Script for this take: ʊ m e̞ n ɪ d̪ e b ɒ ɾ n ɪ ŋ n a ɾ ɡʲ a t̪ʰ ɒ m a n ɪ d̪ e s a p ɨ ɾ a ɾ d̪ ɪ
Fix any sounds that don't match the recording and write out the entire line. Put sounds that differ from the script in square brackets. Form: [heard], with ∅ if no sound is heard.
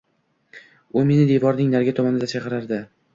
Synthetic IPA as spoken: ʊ m e̞ n ɪ d̪ e [v] ɒ ɾ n ɪ ŋ n a ɾ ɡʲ a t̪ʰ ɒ m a n ɪ d̪ [a] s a [q] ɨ ɾ a ɾ d̪ ɪ